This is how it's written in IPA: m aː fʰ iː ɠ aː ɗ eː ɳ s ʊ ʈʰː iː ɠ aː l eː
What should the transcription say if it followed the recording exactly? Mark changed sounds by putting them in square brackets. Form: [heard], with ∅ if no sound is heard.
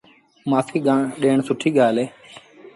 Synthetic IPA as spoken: m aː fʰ iː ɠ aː ɗ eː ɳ s ʊ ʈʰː iː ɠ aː l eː